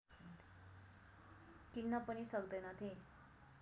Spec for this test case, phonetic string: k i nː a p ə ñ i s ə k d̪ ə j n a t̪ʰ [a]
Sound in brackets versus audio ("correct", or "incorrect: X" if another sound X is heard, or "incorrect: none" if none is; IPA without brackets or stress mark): incorrect: e